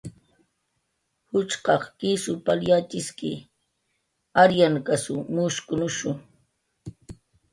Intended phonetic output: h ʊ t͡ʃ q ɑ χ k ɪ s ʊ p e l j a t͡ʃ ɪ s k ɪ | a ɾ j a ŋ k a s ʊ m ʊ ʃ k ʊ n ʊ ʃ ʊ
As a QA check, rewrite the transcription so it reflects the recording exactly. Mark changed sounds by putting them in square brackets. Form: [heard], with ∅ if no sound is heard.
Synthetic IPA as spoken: h ʊ t͡ʃ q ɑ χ k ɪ s ʊ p [a] l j a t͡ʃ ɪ s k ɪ | a ɾ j a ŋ k a s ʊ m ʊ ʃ k ʊ n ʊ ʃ ʊ